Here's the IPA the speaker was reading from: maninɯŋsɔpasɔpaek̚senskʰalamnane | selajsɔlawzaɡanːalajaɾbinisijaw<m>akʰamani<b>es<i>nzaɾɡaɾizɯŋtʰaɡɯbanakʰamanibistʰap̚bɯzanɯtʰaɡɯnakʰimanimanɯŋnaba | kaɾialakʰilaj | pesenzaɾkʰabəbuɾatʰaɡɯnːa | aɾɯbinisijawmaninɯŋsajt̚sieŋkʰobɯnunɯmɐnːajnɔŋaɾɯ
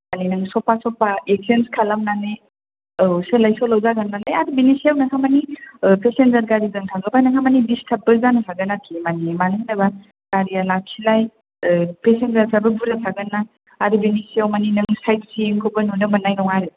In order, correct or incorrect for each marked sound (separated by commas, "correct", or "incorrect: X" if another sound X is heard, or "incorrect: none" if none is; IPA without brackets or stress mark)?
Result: incorrect: n, incorrect: p, incorrect: e